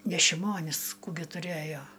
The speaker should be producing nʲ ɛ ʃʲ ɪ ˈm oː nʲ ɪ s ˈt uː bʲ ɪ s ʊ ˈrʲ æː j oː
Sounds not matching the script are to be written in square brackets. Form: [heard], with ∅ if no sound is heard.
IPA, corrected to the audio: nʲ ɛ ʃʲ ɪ ˈm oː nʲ ɪ s [ˈk] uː [ɡʲ] ɪ [t] ʊ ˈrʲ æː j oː

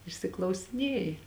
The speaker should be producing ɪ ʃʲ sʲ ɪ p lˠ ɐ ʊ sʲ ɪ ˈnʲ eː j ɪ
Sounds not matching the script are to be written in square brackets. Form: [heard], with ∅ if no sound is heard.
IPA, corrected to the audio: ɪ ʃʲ sʲ ɪ [k] lˠ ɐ ʊ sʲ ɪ ˈnʲ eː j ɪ

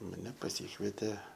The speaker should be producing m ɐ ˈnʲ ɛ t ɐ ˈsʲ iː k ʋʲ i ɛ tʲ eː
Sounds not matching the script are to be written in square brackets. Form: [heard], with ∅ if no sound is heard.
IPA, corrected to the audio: m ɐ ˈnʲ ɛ [p] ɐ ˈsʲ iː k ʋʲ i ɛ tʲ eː

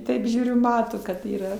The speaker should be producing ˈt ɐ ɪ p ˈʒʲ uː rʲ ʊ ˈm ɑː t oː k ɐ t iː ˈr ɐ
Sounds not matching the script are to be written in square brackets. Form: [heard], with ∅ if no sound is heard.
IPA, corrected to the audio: ˈt ɐ ɪ p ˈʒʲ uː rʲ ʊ ˈm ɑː t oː k ɐ t iː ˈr ɐ

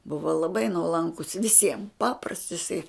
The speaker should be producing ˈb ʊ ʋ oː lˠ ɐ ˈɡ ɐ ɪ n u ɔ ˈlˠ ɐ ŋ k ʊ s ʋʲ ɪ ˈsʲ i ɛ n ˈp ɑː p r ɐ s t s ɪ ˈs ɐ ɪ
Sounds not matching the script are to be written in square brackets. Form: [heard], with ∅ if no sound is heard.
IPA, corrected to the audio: ˈb ʊ ʋ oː lˠ ɐ [ˈb] ɐ ɪ n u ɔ ˈlˠ ɐ ŋ k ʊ s ʋʲ ɪ ˈsʲ i ɛ [m] ˈp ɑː p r ɐ s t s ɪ ˈs ɐ ɪ

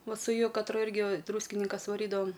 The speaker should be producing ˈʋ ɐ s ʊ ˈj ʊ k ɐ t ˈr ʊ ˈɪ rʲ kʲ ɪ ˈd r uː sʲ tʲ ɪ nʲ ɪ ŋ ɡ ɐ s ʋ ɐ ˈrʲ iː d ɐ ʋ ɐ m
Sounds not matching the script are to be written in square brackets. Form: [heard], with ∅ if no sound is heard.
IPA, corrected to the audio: ˈʋ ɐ s ʊ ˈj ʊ k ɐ t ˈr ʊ ˈɪ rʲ [ɡʲ] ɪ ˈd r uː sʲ [kʲ] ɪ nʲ ɪ ŋ [k] ɐ s ʋ ɐ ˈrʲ iː d ɐ ʋ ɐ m

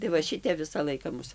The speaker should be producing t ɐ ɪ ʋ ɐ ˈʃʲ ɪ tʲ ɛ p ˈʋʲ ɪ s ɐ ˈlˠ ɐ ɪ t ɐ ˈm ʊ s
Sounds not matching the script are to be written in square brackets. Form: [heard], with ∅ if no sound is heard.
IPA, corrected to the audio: t ɐ ɪ ʋ ɐ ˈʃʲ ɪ tʲ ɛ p ˈʋʲ ɪ s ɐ ˈlˠ ɐ ɪ [k] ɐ ˈm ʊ s

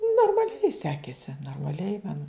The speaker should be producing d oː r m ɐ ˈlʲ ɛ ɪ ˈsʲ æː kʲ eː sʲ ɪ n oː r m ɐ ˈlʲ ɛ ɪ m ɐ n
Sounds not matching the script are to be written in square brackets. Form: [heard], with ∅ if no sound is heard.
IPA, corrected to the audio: [n] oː r m ɐ ˈlʲ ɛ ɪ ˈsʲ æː kʲ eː sʲ ɪ n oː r m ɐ ˈlʲ ɛ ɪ m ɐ n

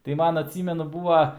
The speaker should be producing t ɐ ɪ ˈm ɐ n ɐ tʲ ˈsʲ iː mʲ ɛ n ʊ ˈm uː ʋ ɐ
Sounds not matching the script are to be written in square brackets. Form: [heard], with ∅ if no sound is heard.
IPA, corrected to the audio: t ɐ ɪ ˈm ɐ n ɐ tʲ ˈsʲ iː mʲ ɛ n ʊ [ˈb] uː ʋ ɐ

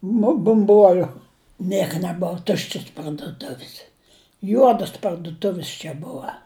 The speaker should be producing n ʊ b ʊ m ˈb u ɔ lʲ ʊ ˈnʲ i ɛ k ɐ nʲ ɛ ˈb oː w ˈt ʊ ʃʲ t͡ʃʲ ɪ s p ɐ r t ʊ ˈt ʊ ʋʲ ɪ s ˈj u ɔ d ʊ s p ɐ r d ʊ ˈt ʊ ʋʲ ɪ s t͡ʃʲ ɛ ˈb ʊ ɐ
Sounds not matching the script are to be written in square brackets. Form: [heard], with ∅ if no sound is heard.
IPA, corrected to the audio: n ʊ b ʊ m ˈb u ɔ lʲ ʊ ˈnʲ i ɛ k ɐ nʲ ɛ ˈb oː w ˈt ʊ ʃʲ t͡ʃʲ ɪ s p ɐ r [d] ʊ ˈt ʊ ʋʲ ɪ s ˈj u ɔ d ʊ s p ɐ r d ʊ ˈt ʊ ʋʲ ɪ s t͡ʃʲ ɛ ˈb ʊ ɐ

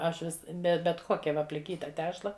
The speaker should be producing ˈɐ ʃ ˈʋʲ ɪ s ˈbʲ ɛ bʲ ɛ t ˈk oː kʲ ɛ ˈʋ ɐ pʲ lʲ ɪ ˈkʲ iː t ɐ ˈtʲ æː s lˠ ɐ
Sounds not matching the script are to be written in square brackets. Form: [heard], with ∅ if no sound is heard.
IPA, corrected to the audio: ˈɐ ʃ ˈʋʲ ɪ s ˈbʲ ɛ bʲ ɛ t ˈk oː kʲ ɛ ˈʋ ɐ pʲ lʲ ɪ ˈkʲ iː t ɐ ˈtʲ æː [ʃ] lˠ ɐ

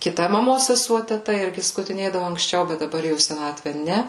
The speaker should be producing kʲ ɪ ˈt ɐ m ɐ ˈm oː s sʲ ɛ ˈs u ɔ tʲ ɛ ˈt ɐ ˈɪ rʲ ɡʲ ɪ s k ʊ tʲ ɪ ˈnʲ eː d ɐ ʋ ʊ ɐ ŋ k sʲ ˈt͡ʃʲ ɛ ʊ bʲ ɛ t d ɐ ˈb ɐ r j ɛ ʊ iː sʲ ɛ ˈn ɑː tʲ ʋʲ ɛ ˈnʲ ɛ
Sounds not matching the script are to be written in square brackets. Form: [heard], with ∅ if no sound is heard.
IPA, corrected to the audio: kʲ ɪ ˈt ɐ m ɐ ˈm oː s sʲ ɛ ˈs u ɔ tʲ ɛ ˈt ɐ ˈɪ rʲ ɡʲ ɪ s k ʊ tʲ ɪ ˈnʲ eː d ɐ ʋ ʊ ɐ ŋ k sʲ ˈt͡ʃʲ ɛ ʊ bʲ ɛ t d ɐ ˈb ɐ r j ɛ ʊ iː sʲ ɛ ˈn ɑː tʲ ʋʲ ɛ ˈnʲ ɛ

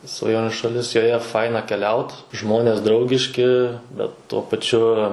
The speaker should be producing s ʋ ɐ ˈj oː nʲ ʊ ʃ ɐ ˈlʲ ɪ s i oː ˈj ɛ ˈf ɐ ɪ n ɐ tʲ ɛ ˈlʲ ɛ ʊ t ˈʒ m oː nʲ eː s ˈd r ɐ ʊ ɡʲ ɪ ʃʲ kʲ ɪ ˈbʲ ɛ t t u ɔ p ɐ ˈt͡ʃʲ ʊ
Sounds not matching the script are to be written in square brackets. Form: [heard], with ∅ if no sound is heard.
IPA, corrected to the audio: s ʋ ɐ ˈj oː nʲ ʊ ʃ ɐ ˈlʲ ɪ s [j] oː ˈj ɛ ˈf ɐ ɪ n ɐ [kʲ] ɛ ˈlʲ ɛ ʊ t ˈʒ m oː nʲ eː s ˈd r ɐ ʊ ɡʲ ɪ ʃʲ kʲ ɪ ˈbʲ ɛ t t u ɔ p ɐ ˈt͡ʃʲ ʊ

